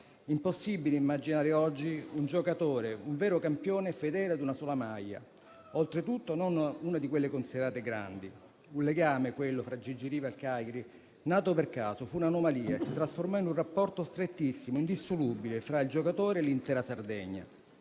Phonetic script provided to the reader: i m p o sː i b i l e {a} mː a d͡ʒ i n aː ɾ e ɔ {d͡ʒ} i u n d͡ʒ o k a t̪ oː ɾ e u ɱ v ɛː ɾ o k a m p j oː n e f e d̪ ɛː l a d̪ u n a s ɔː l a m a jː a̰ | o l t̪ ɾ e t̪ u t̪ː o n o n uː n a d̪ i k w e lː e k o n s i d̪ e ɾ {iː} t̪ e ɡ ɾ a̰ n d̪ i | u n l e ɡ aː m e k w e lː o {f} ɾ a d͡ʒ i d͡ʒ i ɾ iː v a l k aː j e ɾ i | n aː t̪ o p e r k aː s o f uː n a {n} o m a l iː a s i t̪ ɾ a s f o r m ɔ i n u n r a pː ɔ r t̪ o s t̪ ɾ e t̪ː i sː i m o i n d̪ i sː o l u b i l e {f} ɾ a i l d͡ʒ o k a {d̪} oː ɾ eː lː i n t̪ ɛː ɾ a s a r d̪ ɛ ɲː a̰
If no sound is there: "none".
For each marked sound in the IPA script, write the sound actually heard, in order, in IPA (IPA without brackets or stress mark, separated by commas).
i, d͡ʒː, aː, f, n, f, t̪